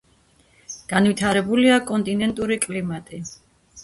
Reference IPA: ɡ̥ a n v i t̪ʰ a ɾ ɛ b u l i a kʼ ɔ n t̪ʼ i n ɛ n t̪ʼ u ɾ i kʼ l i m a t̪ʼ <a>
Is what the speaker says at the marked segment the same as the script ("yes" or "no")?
no